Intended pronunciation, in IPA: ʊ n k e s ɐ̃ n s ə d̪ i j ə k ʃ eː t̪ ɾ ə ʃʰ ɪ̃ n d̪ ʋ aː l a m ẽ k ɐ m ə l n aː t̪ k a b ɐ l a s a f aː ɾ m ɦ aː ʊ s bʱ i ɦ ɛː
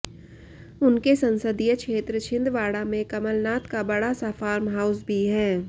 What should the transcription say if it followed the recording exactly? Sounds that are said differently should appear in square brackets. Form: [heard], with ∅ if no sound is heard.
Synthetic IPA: ʊ n k e s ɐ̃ n s ə d̪ i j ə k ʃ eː t̪ ɾ ə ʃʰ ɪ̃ n d̪ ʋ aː [ɽ] a m ẽ k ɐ m ə l n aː t̪ k a b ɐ [ɽ] a s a f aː ɾ m ɦ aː ʊ s bʱ i ɦ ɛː

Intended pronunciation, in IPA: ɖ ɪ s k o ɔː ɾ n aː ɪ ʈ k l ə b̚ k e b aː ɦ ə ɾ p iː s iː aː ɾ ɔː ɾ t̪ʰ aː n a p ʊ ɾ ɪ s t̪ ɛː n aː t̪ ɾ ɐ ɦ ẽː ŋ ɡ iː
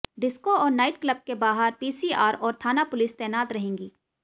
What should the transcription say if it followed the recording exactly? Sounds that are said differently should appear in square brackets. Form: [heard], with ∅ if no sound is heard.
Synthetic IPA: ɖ ɪ s k o ɔː ɾ n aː ɪ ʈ k l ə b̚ k e b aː ɦ ə ɾ p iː s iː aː ɾ ɔː ɾ t̪ʰ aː n a p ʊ [l] ɪ s t̪ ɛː n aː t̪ ɾ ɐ ɦ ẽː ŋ ɡ iː

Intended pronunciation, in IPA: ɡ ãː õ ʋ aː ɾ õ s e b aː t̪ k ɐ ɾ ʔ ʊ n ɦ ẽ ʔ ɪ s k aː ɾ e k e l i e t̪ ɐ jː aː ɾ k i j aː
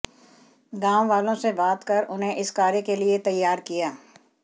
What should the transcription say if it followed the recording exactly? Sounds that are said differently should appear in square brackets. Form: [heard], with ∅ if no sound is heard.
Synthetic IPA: ɡ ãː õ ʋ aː [l] õ s e b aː t̪ k ɐ ɾ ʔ ʊ n ɦ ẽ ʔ ɪ s k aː ɾ e k e l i e t̪ ɐ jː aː ɾ k i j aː

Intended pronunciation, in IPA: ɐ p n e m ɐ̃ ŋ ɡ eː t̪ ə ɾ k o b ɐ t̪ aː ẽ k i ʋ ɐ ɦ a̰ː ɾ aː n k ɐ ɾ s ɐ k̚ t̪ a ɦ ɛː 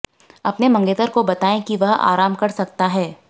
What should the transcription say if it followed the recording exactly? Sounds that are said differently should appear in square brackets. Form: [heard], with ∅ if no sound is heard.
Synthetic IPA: ɐ p n e m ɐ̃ ŋ ɡ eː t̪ ə ɾ k o b ɐ t̪ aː ẽ k i ʋ ɐ ɦ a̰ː ɾ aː [m] k ɐ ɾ s ɐ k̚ t̪ a ɦ ɛː

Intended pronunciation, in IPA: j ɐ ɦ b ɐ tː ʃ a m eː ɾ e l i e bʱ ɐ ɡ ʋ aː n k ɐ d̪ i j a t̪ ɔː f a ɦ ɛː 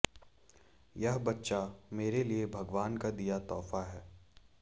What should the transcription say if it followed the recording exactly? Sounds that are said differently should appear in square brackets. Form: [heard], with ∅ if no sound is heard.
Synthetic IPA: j ɐ ɦ b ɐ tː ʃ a m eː ɾ e l i e bʱ ɐ ɡ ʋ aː n k [a] d̪ i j a t̪ ɔː f a ɦ ɛː

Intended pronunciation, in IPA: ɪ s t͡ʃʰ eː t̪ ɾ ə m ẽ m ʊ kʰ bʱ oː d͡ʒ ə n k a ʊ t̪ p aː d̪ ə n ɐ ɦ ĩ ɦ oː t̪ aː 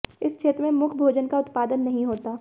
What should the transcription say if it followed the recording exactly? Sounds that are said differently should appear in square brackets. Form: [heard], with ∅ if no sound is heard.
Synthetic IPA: ɪ s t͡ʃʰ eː t̪ ɾ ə m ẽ m ʊ kʰ bʱ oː d͡ʒ ə n k a ʊ t̪ p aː d̪ ə [nː] ɐ ɦ ĩ ɦ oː t̪ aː

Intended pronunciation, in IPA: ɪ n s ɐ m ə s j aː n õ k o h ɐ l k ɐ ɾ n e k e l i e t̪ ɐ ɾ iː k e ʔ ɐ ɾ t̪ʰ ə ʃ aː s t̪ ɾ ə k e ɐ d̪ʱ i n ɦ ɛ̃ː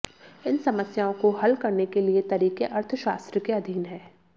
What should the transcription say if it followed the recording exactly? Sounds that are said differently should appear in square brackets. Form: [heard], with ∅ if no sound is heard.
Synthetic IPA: ɪ n s ɐ m ə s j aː [∅] õ k o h ɐ l k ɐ ɾ n e k e l i e t̪ ɐ ɾ iː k e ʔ ɐ ɾ t̪ʰ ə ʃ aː s t̪ ɾ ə k e ɐ d̪ʱ [iː] n ɦ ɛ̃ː

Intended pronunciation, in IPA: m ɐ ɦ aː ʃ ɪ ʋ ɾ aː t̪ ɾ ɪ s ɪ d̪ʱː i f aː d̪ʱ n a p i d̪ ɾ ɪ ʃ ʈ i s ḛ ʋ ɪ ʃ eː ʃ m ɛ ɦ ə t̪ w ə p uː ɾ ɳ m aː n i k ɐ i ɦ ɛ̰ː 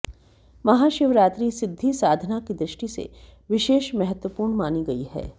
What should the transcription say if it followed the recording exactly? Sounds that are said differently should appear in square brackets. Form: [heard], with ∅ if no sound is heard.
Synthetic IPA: m ɐ ɦ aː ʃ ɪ ʋ ɾ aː t̪ ɾ [i] s ɪ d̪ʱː i [s] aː d̪ʱ n a [k] i d̪ ɾ ɪ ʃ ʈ i s ḛ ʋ ɪ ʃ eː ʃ m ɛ ɦ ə t̪ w ə p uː ɾ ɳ m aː n i [ɡ] ɐ i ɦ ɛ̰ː

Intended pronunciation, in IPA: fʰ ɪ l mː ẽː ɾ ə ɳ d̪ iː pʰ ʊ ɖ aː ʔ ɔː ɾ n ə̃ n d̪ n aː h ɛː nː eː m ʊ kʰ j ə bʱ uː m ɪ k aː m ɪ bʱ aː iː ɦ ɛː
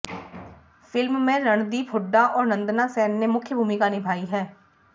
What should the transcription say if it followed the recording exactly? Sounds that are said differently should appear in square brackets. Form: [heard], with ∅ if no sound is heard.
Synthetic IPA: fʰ ɪ l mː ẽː ɾ ə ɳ d̪ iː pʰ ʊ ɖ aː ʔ ɔː ɾ n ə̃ n d̪ n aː [s] ɛː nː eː m ʊ kʰ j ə bʱ uː m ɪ k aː [n] ɪ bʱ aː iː ɦ ɛː

